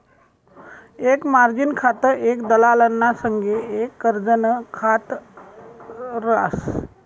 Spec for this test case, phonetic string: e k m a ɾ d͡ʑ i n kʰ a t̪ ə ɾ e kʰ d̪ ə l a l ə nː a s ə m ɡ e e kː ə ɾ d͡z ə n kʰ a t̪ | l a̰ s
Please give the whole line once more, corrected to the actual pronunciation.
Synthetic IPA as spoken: e k m a ɾ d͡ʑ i n kʰ a t̪ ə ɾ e k d̪ ə l a l ə nː a s ə ŋ ɡ e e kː ə ɾ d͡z ə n kʰ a t̪ | ɾ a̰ s